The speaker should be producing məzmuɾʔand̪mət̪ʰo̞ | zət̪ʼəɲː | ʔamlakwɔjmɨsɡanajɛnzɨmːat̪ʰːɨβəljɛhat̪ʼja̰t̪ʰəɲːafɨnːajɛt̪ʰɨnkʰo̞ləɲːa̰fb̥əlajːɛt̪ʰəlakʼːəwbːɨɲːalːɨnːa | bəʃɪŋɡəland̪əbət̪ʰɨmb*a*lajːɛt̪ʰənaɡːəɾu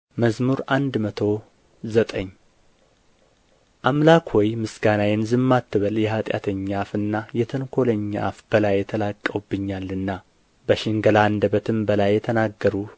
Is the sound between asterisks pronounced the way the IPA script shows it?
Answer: no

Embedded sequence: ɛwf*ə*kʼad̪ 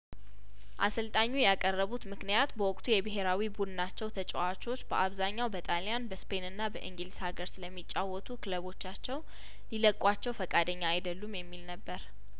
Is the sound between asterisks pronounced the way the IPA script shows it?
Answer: yes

